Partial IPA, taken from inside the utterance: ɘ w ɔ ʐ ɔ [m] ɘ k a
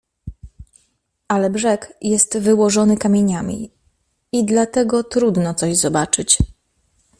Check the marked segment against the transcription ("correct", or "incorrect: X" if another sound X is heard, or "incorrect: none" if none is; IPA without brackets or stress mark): incorrect: n